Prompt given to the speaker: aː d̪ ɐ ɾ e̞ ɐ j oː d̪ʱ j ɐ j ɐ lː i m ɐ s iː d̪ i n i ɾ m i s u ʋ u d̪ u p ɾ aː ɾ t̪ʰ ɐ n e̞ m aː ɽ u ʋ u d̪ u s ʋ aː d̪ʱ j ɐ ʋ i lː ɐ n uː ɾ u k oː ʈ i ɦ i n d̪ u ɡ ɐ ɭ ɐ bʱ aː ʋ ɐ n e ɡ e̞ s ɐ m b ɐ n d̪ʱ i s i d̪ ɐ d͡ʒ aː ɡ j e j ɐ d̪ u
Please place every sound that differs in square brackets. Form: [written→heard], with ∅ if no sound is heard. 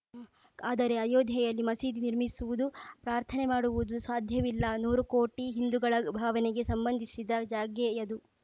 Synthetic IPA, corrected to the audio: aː d̪ ɐ ɾ e̞ ɐ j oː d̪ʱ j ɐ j ɐ lː i m ɐ s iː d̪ i n i ɾ m i s u ʋ u d̪ u p ɾ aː ɾ t̪ʰ ɐ n e̞ m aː ɽ u ʋ u d̪ u s ʋ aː d̪ʱ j ɐ ʋ i lː ɐ n uː ɾ u k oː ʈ i ɦ i n d̪ u ɡ ɐ ɭ ɐ bʱ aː ʋ ɐ n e ɡ e̞ s ɐ m b ɐ n d̪ʱ i s i d̪ ɐ d͡ʒ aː ɡ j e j ɐ d̪ u